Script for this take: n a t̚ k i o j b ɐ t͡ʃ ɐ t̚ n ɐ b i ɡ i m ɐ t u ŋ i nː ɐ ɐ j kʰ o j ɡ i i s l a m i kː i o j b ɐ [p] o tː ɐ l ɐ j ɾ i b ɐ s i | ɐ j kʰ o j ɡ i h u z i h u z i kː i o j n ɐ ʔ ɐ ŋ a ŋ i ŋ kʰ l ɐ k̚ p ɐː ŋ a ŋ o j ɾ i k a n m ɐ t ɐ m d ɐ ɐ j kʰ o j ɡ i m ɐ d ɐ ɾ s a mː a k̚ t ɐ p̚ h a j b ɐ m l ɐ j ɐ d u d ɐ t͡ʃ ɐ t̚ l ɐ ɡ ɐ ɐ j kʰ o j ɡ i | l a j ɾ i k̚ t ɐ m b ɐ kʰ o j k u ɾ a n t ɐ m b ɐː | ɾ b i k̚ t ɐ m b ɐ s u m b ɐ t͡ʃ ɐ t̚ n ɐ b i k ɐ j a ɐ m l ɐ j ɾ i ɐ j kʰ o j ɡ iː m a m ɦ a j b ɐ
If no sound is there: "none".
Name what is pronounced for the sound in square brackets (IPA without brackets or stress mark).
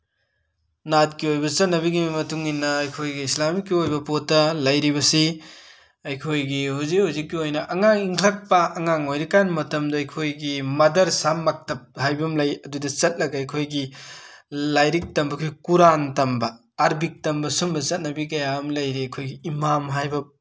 p